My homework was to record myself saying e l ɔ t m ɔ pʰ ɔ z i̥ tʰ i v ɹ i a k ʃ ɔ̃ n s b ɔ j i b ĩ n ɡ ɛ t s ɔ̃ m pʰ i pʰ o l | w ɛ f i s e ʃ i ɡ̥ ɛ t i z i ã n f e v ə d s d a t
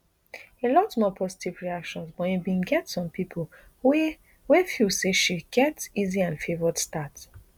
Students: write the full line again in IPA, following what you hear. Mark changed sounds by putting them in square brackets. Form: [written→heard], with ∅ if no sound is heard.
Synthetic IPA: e l ɔ t m ɔ pʰ ɔ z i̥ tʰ i v ɹ i a k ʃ ɔ̃ n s b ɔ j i b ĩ n ɡ ɛ t s ɔ̃ m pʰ i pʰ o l | w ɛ f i s e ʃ i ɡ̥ ɛ t i z i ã n f e v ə d s [d→t] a t